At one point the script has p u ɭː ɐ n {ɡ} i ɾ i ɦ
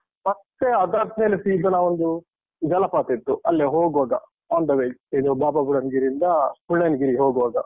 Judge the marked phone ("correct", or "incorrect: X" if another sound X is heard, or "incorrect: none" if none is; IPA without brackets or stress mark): correct